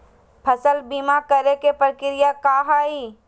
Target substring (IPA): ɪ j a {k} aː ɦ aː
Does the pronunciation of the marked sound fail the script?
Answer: no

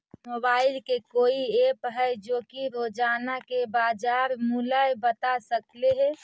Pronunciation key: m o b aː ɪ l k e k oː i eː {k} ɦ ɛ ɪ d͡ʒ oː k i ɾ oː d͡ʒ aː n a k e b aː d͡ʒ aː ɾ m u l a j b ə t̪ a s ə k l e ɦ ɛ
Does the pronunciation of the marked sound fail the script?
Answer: yes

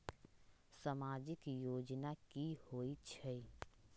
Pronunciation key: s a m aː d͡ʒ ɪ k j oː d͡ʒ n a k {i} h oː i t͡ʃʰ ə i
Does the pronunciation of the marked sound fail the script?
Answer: no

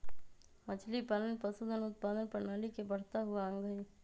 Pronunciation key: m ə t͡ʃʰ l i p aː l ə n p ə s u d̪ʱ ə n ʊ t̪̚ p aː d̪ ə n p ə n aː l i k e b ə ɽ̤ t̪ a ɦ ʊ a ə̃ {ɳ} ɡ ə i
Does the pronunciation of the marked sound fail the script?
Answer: yes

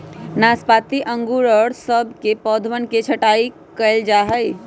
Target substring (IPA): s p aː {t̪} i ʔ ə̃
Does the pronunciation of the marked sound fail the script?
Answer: no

